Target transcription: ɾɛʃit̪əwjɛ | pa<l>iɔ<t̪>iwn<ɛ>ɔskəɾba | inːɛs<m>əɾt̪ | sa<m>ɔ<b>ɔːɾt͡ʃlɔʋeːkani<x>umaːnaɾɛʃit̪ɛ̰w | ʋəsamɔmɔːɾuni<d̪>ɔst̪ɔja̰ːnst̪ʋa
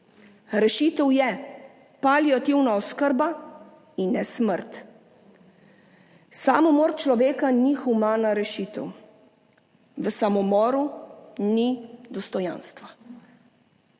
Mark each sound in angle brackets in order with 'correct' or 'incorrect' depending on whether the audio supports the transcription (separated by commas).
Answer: correct, correct, incorrect, correct, correct, incorrect, correct, correct